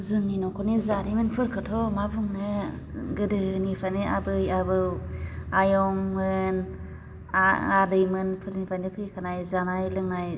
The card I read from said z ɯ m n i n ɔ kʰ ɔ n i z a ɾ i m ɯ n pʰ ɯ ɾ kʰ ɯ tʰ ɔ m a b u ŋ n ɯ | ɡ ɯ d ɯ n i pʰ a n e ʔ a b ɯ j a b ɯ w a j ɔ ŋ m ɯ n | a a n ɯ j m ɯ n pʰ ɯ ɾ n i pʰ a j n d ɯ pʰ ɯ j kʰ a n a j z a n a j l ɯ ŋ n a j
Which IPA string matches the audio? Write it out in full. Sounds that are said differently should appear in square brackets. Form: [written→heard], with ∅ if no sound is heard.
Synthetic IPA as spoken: z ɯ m n i n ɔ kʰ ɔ n i z a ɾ i m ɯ n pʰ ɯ ɾ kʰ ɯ tʰ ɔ m a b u ŋ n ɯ | ɡ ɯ d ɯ n i pʰ a n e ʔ a b ɯ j a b ɯ w a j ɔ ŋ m ɯ n | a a [n→d] ɯ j m ɯ n pʰ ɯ ɾ n i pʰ a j n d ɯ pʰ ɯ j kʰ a n a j z a n a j l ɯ ŋ n a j